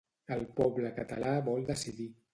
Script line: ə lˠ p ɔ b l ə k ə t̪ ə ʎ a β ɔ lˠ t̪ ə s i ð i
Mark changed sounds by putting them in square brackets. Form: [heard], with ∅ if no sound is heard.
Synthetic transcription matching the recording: ə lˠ p ɔ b l ə k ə t̪ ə [l] a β ɔ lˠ [d̪] ə s i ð i